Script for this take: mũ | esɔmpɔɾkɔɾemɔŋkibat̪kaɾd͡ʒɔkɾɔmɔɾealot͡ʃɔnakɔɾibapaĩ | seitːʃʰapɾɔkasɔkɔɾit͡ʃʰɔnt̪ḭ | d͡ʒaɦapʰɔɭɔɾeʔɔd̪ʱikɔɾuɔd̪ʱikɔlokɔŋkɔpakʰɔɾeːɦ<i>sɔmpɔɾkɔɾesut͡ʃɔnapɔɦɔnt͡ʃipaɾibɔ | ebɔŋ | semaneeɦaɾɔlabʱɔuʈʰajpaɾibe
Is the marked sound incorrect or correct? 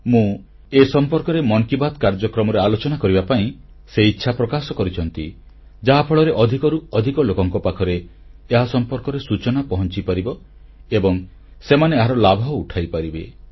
incorrect